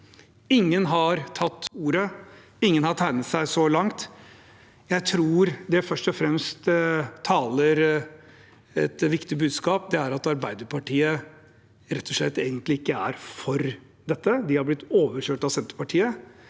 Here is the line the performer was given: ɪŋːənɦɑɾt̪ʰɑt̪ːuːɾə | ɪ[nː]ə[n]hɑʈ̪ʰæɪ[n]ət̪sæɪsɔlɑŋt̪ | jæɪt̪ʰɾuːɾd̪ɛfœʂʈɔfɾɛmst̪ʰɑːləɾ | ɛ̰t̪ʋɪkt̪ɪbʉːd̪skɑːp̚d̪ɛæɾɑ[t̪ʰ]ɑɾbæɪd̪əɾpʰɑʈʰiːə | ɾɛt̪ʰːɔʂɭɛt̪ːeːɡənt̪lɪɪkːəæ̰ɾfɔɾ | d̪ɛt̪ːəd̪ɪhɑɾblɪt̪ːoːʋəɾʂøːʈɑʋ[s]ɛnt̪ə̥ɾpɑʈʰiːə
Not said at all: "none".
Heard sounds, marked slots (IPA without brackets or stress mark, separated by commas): ŋː, n, n, t̪, s